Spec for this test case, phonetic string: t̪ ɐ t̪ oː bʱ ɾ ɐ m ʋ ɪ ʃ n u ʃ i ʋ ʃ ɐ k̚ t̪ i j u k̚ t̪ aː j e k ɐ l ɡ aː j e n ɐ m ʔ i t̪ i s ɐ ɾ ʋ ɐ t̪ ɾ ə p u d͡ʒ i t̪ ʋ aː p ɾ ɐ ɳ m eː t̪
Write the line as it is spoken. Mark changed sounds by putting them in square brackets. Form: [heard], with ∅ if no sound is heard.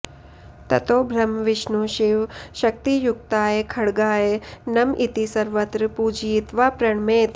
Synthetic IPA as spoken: t̪ ɐ t̪ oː bʱ ɾ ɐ m ʋ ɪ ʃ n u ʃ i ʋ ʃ ɐ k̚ t̪ i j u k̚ t̪ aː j e [kʰ] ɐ [ɽ] ɡ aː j e n ɐ m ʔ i t̪ i s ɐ ɾ ʋ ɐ t̪ ɾ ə p u d͡ʒ i t̪ ʋ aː p ɾ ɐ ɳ m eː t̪